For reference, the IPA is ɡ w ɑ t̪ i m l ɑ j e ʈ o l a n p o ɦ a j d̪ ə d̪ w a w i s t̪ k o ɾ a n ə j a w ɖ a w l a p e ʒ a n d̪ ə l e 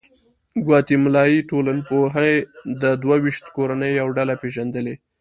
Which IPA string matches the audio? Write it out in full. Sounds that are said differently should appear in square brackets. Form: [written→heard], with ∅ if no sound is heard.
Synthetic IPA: ɡ w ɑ t̪ i m l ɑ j [e→i] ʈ o l a n p o ɦ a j d̪ ə d̪ w a w i [s→ʃ] t̪ k o ɾ a n ə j a w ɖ a [w→∅] l a p e ʒ a n d̪ ə l e